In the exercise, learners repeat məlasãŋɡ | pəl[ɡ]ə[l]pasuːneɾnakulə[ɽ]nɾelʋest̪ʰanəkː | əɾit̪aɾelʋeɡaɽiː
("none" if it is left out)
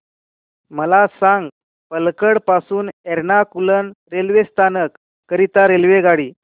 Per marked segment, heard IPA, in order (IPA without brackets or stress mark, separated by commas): k, ɽ, none